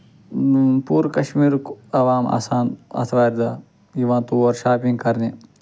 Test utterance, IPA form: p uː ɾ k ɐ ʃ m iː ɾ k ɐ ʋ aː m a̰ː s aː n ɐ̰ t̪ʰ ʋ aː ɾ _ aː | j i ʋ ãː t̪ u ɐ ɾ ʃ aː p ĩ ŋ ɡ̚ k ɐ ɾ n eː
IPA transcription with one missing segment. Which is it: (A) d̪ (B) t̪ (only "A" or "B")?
A